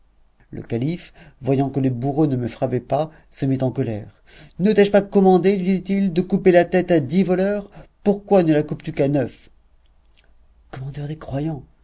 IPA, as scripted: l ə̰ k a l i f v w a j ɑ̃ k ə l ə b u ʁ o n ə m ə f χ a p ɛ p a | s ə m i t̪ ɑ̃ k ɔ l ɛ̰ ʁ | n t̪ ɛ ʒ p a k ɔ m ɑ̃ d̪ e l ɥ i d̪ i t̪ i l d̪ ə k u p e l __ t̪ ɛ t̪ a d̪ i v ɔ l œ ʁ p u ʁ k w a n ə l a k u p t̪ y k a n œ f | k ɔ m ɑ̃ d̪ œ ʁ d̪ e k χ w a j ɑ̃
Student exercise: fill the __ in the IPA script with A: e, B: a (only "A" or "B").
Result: B